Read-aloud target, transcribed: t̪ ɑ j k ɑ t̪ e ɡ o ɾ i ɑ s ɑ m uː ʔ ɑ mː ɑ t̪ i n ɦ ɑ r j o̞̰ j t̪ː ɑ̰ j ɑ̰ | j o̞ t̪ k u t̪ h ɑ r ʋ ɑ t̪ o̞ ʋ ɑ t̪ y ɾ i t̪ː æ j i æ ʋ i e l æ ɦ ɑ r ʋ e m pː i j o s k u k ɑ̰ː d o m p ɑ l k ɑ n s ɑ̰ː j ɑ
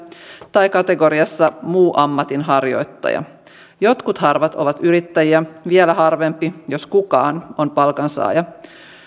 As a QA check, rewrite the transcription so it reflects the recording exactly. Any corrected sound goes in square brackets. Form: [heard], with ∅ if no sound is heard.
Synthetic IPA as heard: t̪ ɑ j k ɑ t̪ e ɡ o ɾ i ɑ [sː] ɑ m uː ʔ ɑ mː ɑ t̪ i n ɦ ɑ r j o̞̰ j t̪ː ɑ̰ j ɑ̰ | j o̞ t̪ k u t̪ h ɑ r ʋ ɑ t̪ o̞ ʋ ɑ t̪ y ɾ i t̪ː æ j i æ ʋ i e l æ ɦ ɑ r ʋ e m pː i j o s k u k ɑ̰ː [n] o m p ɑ l k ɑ n s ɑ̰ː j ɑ